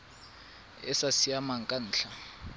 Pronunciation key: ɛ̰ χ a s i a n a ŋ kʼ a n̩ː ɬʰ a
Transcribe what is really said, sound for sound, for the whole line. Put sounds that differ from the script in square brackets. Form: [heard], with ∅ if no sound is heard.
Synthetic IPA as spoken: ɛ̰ [s] a s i a [m] a ŋ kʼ a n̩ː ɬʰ a